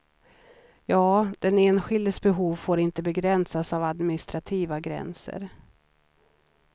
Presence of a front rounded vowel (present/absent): absent